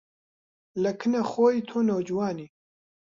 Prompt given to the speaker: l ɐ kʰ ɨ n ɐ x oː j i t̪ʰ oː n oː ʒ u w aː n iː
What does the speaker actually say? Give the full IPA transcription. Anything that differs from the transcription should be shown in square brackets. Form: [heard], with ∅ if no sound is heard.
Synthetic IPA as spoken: l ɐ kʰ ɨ n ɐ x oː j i t̪ʰ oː n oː [d͡ʒ] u w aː n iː